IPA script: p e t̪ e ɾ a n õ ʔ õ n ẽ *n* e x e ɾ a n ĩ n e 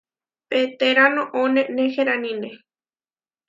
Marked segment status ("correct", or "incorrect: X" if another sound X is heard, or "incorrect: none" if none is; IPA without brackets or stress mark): correct